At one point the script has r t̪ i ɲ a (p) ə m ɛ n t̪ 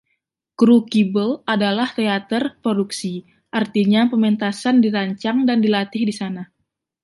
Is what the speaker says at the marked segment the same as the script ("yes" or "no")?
yes